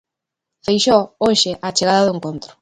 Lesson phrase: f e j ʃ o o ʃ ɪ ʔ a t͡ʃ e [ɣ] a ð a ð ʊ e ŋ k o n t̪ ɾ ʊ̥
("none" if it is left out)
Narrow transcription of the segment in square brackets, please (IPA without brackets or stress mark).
ɣ